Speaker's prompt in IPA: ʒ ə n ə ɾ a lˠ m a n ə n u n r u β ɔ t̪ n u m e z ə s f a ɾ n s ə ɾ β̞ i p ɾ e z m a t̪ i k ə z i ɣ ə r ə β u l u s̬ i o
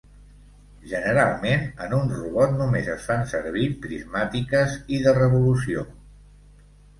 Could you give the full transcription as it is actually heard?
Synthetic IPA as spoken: ʒ ə n ə ɾ a lˠ m e n ə n u n r u β ɔ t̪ n u m e z ə s f a n s ə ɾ β̞ i p ɾ i z m a t̪ i k ə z i ð ə r ə β u l u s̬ i o